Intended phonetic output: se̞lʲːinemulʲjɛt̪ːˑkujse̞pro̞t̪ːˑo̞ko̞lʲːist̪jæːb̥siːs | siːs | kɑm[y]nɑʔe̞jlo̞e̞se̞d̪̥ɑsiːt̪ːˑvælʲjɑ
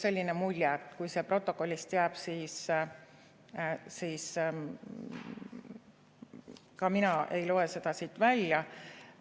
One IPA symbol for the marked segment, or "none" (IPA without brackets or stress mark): i